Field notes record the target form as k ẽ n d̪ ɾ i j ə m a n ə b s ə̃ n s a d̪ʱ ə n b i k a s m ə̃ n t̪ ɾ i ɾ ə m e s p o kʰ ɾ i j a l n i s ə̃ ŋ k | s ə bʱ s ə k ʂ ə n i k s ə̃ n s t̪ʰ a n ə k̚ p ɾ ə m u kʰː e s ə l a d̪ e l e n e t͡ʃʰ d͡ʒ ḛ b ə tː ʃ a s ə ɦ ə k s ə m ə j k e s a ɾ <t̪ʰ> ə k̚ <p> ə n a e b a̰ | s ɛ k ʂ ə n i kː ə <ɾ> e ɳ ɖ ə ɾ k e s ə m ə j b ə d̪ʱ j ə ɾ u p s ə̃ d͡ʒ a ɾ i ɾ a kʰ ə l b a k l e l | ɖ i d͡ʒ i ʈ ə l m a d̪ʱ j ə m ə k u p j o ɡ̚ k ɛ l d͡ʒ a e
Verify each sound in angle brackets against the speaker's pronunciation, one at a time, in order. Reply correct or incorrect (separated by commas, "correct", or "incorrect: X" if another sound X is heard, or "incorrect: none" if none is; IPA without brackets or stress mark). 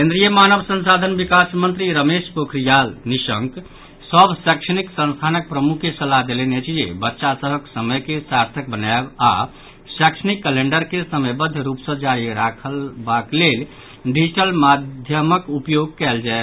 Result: correct, incorrect: b, incorrect: l